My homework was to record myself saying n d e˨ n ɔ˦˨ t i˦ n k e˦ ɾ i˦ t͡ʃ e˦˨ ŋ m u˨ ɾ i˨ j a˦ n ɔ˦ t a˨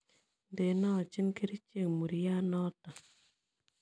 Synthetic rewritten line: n d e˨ n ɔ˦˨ t͡ʃ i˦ n k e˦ ɾ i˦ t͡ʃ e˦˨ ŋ m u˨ ɾ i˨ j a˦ n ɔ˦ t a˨